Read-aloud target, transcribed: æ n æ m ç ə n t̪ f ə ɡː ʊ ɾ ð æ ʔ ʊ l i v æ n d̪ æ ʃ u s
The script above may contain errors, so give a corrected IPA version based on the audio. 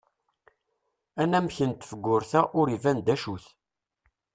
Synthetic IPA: æ n æ m ç ə n t̪ f ə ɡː ʊ ɾ θ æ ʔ ʊ ɾ i v æ n d̪ æ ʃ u θ